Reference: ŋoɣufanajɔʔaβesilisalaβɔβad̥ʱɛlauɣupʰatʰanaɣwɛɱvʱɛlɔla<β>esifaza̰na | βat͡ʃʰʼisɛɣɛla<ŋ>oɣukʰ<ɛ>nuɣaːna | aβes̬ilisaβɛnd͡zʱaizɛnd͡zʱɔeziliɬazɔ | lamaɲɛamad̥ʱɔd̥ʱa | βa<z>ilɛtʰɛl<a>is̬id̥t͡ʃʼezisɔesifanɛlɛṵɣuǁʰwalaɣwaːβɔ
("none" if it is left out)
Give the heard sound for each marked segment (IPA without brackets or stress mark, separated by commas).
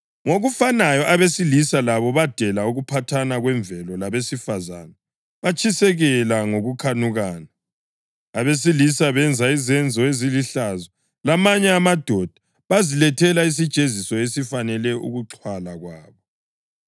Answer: β, ŋ, a, z, a